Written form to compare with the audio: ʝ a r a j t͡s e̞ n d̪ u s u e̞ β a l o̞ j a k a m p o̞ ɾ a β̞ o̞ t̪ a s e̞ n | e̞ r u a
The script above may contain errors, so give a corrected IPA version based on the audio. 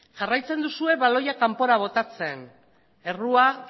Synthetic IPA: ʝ a r a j t͡s e̞ n d̪ u s u e̞ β a l o̞ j a k a m p o̞ ɾ a β̞ o̞ t̪ a t͡s e̞ n | e̞ r u a